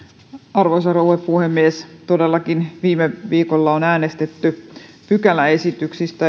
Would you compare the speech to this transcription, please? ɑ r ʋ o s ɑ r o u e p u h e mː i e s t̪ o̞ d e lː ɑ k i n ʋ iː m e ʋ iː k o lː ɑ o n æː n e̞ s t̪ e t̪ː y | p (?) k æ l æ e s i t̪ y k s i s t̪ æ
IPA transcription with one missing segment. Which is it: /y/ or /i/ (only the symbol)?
y